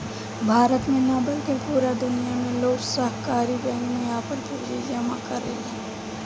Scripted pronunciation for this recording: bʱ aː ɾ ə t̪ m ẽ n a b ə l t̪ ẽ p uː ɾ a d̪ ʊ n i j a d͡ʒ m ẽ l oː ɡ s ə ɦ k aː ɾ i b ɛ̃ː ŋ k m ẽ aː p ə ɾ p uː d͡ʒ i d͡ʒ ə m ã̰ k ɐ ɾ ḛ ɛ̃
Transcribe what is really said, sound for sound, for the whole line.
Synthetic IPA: bʱ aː ɾ ə t̪ m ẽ n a b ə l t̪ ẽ p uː ɾ a d̪ ʊ n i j a m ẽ l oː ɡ s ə ɦ k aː ɾ i b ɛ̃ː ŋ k m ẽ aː p ə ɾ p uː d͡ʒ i d͡ʒ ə m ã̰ k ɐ ɾ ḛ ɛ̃